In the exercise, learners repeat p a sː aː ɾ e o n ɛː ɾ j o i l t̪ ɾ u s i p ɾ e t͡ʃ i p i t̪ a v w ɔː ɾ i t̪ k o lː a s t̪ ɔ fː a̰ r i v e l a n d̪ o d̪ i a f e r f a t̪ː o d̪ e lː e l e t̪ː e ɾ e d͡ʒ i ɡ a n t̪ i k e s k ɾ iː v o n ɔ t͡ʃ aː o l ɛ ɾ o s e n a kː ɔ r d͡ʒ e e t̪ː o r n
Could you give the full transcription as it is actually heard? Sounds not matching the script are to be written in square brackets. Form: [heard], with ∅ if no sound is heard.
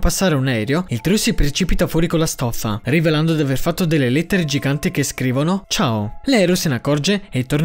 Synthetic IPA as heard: p a sː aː ɾ e [u] n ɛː ɾ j o i l t̪ ɾ u s i p ɾ e t͡ʃ i p i t̪ a [f] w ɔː ɾ i [∅] k o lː a s t̪ ɔ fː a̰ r i v e l a n d̪ o d̪ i a [v] e r f a t̪ː o d̪ e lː e l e t̪ː e ɾ e d͡ʒ i ɡ a n t̪ i k e s k ɾ iː v o n [o] t͡ʃ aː o l ɛ ɾ o s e n a kː ɔ r d͡ʒ e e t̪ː o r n

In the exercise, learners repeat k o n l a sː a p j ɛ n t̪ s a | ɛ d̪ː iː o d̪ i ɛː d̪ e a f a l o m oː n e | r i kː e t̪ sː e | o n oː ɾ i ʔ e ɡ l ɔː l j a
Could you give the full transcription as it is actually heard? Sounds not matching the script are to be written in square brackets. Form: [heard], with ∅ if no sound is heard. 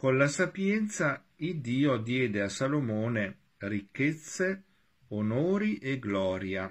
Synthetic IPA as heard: k o n l a [s] a p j ɛ n t̪ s a | [i] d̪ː iː o d̪ [j] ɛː d̪ e a [s] a l o m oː n e | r i kː e t̪ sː e | o n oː ɾ i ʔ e ɡ l ɔː [ɾ] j a

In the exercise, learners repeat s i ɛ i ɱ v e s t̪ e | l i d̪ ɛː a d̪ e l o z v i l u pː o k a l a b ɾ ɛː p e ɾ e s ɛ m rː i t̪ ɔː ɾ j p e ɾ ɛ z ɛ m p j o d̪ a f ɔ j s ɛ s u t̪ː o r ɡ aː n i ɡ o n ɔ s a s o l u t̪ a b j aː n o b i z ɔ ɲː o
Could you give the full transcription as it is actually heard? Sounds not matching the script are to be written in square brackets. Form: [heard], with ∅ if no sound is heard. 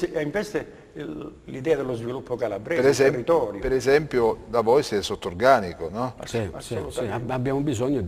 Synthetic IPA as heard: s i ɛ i ɱ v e s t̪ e | l i d̪ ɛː a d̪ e l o z v i l u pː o k a l a b ɾ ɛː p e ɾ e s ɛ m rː i t̪ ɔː ɾ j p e ɾ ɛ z ɛ m p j o d̪ a [v] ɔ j s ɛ s [o] t̪ː o r ɡ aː n i [k] o n ɔ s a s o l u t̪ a b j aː [m] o b i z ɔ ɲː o

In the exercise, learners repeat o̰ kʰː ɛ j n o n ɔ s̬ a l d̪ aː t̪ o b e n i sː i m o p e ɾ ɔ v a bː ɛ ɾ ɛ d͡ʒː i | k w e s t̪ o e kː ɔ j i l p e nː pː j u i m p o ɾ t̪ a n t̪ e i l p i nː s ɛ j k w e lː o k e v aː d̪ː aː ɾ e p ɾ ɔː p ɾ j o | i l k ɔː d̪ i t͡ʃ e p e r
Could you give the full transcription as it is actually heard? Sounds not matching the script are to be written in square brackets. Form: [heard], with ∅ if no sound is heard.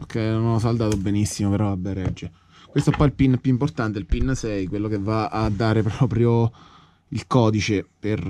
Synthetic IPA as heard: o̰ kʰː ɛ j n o n ɔ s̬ a l d̪ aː t̪ o b e n i sː i m o p e ɾ ɔ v a bː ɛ ɾ ɛ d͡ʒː [e] | k w e s t̪ o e [pː] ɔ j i l p [i] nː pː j u i m p o [r] t̪ a n t̪ e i l p i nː s ɛ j k w e lː o k e v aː d̪ː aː ɾ e p ɾ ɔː p ɾ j o | i l k ɔː d̪ i t͡ʃ e p e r

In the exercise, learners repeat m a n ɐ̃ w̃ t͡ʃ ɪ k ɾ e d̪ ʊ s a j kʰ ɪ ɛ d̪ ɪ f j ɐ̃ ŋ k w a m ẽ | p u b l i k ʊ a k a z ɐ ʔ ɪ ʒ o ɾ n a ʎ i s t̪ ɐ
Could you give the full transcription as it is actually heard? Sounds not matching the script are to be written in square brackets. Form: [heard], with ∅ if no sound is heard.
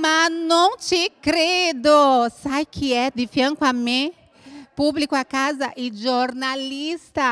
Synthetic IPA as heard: m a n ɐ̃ w̃ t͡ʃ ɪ k ɾ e d̪ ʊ s a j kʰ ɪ ɛ d̪ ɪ f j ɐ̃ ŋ k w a m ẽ | p u b l i k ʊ a k a z ɐ ʔ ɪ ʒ o ɾ n a [l] i s t̪ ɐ

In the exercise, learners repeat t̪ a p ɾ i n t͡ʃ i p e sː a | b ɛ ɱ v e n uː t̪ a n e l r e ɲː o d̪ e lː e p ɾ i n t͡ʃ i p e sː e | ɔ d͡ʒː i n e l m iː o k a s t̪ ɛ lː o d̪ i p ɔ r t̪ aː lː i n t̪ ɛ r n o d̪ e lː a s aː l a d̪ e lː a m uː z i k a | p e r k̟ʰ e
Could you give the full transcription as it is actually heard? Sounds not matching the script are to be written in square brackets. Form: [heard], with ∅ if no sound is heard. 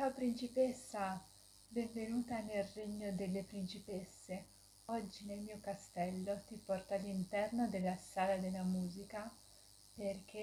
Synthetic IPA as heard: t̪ a p ɾ i n t͡ʃ i p e sː a | b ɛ ɱ v e n uː t̪ a n e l r e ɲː o d̪ e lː e p ɾ i n t͡ʃ i p e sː e | ɔ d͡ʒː i n e l m iː o k a s t̪ ɛ lː o [t̪] i p ɔ r t̪ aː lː i n t̪ ɛ r n o d̪ e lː a s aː l a d̪ e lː a m uː z i k a | p e r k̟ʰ e

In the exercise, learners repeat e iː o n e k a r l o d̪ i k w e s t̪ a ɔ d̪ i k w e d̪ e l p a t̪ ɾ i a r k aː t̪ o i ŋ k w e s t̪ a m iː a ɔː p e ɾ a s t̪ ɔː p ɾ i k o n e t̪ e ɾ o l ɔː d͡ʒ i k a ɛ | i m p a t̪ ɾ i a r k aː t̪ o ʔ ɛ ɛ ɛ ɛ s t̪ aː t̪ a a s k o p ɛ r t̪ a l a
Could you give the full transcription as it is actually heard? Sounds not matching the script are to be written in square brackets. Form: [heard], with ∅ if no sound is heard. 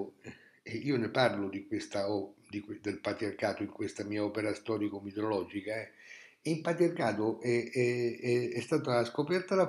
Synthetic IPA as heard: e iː o n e [p] a r l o d̪ i k w e s t̪ a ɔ d̪ i k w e d̪ e l p a t̪ ɾ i a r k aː t̪ o i ŋ k w e s t̪ a m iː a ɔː p e ɾ a s t̪ ɔː [∅] ɾ i k o [m] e t̪ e ɾ o l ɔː d͡ʒ i k a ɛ | i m p a t̪ ɾ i a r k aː t̪ o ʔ ɛ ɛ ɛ ɛ s t̪ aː t̪ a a s k o p ɛ r t̪ a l a

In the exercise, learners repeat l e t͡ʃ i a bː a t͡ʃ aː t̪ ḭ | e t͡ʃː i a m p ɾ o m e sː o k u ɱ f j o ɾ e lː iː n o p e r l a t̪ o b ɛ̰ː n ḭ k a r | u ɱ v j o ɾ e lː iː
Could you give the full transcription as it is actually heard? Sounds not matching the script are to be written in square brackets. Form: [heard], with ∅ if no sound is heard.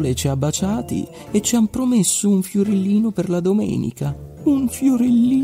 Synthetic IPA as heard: l e t͡ʃ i a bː a t͡ʃ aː t̪ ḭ | e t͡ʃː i a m p ɾ o m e sː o [∅] u ɱ f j o ɾ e lː iː n o p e r l a [d̪] o [m] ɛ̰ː n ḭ k a [∅] | u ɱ [f] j o ɾ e lː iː

